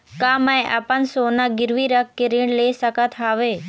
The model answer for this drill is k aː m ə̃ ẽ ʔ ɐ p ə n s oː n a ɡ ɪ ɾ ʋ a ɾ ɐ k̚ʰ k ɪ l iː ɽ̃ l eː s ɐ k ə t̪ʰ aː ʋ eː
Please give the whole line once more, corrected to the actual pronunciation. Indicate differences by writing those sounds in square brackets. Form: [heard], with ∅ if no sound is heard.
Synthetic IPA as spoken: k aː m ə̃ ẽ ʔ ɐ p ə n s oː n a ɡ ɪ ɾ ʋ [i] ɾ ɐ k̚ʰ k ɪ [ɾ] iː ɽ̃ l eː s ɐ k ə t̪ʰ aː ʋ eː

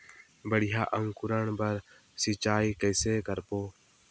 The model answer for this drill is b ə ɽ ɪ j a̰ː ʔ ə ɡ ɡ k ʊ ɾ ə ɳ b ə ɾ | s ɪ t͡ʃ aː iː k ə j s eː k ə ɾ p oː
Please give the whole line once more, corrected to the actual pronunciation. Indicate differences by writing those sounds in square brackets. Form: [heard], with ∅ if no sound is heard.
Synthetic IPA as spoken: b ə ɽ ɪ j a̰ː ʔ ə [ŋ] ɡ k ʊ ɾ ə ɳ b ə ɾ | s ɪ t͡ʃ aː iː k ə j s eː k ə ɾ p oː

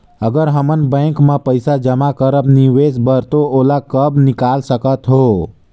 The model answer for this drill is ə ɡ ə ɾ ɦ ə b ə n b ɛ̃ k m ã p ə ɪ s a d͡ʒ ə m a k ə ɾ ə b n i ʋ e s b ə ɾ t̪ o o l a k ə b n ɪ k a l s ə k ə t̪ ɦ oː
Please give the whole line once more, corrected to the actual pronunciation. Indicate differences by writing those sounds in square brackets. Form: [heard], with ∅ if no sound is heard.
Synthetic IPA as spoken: ə ɡ ə ɾ ɦ ə [m] ə n b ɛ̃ k m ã p ə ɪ s a d͡ʒ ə m a k ə ɾ ə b n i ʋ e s b ə ɾ t̪ o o l a k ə b n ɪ k a l s ə k ə t̪ ɦ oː

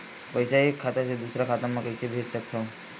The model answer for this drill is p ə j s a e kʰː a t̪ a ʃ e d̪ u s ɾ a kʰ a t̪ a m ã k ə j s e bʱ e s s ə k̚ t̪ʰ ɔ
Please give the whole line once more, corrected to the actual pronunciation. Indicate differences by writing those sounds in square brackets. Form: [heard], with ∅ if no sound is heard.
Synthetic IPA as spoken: p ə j s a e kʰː a t̪ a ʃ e d̪ u s ɾ a kʰ a t̪ a m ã k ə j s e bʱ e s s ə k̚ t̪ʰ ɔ

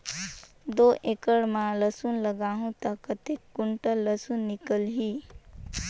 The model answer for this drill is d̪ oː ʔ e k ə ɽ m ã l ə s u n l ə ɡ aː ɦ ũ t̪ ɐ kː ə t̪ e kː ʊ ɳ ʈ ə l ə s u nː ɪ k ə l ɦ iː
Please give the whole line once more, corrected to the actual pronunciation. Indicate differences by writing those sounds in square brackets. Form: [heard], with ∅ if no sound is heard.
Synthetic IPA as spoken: d̪ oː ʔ e k ə ɽ m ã l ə s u n l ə ɡ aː ɦ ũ t̪ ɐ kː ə t̪ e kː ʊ ɳ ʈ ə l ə s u nː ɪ k ə l ɦ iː

